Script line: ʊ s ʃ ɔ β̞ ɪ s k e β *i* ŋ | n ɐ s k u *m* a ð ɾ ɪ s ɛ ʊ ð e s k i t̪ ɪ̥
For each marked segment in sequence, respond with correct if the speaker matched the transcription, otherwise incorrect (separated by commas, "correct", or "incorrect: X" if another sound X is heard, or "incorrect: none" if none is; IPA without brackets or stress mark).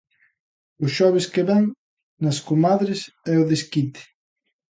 incorrect: ɛ, correct